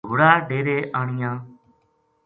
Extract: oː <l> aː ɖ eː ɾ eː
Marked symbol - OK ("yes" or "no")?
no